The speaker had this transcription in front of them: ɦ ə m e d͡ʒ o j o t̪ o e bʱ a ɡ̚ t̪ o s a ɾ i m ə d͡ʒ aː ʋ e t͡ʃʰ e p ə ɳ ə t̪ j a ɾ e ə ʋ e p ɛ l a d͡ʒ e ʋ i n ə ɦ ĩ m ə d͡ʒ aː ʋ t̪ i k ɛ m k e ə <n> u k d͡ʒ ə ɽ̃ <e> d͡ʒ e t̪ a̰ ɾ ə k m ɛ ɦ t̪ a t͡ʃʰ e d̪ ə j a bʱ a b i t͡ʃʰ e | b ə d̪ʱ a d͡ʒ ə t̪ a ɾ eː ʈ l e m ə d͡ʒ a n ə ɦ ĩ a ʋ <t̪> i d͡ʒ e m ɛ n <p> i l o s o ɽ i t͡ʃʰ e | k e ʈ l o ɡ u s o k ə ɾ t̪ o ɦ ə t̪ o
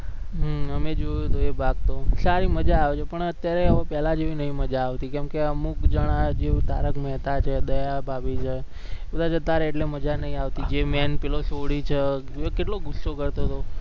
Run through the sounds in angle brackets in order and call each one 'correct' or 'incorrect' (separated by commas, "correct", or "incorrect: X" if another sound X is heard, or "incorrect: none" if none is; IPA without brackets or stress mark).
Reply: incorrect: m, incorrect: a, correct, correct